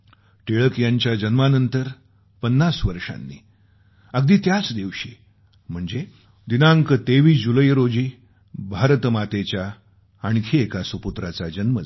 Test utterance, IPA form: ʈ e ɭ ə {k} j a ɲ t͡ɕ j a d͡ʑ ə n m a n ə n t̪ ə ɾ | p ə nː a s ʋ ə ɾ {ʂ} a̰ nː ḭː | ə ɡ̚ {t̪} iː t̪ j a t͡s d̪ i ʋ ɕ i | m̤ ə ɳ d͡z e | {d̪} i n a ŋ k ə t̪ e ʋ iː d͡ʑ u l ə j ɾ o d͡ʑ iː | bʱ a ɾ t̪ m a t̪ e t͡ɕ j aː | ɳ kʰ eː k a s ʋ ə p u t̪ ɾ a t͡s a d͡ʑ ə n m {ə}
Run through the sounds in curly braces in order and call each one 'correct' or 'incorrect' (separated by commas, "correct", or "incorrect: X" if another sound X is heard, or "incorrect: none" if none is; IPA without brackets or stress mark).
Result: correct, correct, incorrect: d̪, correct, correct